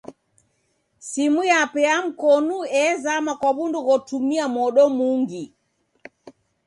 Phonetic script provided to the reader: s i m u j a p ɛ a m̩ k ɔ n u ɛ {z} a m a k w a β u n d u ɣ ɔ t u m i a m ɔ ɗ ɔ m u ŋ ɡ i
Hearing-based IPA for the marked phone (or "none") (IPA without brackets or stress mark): z